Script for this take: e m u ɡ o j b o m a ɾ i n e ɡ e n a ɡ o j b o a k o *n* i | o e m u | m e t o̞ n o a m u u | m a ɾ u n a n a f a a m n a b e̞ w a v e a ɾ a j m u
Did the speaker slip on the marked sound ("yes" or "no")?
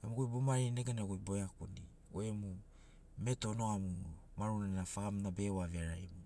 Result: no